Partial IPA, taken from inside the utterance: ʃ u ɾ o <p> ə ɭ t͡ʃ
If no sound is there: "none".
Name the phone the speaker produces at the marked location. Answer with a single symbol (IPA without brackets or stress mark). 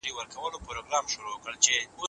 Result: k